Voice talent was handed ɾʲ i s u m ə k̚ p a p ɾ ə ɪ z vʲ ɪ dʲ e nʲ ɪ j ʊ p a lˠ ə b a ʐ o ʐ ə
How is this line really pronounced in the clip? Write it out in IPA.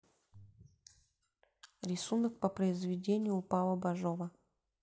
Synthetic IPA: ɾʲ ɪ s u n ə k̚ p ə p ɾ ə ɪ z vʲ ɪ dʲ e nʲ ɪ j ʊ p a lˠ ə b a ʐ o v ə